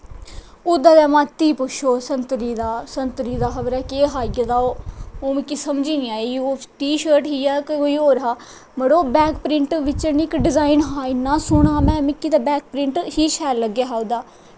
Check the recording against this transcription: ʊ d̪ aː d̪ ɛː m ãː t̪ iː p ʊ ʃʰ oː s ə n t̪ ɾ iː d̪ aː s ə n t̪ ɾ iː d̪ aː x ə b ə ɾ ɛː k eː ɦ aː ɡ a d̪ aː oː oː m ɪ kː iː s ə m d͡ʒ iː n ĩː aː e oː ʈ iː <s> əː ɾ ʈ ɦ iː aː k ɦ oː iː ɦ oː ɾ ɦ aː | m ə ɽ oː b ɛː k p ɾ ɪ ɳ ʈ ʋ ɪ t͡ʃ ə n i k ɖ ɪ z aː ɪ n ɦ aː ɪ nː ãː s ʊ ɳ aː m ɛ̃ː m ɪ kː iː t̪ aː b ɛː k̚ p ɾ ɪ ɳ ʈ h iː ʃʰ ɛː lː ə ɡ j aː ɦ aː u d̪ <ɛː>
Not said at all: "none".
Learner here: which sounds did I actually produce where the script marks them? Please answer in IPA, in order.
ʃ, aː

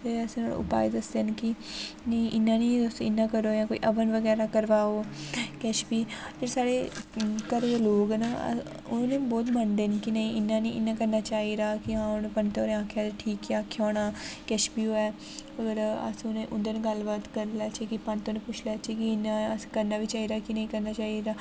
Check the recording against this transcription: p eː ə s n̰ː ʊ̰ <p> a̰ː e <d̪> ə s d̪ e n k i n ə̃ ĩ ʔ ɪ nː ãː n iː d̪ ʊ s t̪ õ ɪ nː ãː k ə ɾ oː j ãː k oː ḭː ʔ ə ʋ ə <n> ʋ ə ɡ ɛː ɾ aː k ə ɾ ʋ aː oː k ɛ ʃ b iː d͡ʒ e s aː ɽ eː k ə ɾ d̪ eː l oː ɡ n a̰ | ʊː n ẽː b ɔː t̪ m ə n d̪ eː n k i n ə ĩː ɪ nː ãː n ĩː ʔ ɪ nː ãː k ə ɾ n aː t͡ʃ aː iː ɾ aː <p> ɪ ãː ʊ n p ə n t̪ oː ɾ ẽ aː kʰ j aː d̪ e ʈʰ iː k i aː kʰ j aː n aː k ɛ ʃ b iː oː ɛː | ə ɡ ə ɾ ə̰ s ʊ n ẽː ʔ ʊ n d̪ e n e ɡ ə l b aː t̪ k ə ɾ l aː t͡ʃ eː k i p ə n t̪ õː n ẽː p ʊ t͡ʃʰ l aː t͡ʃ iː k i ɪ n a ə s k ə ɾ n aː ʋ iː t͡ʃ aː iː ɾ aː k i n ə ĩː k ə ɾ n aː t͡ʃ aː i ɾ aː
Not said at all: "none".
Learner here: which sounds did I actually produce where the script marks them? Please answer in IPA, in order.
p, d̪, n, k

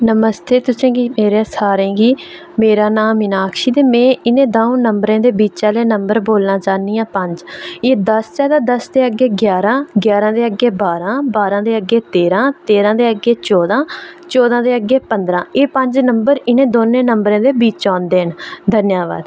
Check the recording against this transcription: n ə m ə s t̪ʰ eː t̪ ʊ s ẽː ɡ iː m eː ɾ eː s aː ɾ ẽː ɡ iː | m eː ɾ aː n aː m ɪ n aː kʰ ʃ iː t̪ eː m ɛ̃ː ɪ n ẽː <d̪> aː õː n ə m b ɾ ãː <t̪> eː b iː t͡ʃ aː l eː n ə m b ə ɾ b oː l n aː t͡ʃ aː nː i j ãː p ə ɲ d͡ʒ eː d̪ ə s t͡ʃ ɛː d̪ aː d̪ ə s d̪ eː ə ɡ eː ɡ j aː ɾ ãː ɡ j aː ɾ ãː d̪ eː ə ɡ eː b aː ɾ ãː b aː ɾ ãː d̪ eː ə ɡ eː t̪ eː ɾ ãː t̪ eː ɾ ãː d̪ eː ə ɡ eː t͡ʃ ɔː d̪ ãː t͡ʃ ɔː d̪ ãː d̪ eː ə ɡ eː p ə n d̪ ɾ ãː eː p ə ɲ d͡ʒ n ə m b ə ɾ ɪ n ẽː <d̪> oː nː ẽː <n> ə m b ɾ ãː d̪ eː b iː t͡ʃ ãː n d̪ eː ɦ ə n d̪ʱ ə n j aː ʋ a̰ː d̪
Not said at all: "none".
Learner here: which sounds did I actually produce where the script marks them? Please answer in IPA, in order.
d̪, d̪, d̪, n

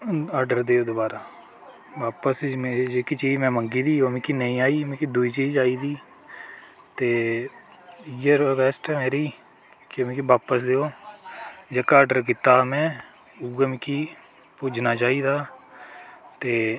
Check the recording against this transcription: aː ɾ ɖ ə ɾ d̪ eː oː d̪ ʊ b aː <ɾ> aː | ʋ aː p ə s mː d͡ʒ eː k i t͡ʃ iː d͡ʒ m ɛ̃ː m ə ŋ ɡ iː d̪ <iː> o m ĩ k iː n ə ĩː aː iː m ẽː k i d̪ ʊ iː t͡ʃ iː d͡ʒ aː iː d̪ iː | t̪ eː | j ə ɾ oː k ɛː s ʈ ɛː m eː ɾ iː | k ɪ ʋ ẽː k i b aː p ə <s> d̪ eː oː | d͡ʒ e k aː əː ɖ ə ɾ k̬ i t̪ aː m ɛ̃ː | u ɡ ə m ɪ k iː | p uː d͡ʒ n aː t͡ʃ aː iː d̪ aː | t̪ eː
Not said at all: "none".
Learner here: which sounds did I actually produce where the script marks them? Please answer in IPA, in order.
ɾ, iː, s

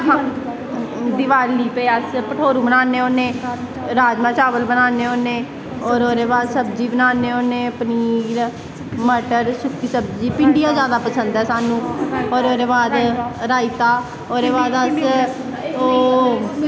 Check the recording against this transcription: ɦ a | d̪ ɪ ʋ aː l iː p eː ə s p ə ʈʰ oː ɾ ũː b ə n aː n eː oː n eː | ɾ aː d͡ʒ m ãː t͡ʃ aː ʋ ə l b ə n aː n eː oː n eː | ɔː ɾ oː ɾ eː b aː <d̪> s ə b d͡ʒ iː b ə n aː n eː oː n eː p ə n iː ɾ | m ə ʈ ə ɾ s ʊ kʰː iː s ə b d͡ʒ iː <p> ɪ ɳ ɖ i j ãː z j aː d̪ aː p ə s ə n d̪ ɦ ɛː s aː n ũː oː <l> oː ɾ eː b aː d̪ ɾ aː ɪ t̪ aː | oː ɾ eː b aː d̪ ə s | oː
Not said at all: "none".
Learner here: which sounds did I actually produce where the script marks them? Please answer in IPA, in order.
d̪, p, ɾ

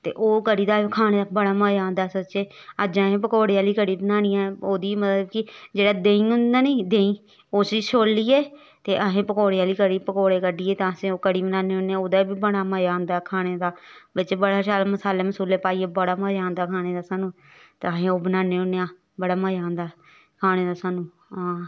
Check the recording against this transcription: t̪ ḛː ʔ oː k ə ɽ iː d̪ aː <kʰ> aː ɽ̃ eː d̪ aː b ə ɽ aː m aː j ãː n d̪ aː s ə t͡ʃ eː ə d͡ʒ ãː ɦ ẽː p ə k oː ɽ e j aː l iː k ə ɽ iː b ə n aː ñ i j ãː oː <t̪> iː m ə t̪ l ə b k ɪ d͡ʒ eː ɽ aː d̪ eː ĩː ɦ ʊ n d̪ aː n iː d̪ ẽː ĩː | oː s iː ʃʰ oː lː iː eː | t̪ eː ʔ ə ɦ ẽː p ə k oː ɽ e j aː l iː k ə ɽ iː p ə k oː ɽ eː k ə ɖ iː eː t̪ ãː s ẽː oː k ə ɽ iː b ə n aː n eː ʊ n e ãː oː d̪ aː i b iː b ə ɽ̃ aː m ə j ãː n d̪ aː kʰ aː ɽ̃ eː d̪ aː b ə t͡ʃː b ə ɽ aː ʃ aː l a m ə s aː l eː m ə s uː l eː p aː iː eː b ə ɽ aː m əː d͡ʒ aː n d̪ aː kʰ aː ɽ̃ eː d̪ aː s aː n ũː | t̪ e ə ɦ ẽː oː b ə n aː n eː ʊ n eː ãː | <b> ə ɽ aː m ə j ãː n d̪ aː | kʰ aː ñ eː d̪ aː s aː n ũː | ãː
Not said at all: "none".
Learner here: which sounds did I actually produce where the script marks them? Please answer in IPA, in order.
kʰ, d̪, b

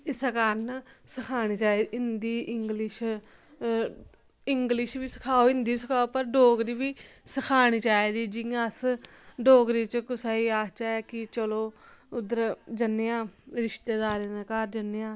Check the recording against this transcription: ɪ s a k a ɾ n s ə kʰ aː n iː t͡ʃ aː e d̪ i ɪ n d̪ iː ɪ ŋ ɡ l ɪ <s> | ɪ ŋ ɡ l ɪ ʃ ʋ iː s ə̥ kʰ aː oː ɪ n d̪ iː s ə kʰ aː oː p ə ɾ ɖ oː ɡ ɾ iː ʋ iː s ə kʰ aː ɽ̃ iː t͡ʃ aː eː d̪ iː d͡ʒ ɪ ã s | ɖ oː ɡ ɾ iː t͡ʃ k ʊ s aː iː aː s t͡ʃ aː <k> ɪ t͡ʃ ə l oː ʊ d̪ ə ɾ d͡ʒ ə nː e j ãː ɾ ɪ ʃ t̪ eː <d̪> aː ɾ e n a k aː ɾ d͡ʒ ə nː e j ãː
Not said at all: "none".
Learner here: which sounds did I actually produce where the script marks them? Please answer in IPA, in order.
ʃ, k, d̪

